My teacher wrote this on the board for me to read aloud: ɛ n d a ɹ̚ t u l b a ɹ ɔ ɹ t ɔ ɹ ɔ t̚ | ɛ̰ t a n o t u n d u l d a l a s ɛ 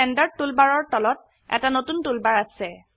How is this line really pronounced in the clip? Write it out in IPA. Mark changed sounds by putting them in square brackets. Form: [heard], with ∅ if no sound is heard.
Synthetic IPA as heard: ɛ n d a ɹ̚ t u l b a ɹ ɔ ɹ t ɔ [l] ɔ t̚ | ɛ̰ t a n o t u n [t] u l [b] a [ɹ] a s ɛ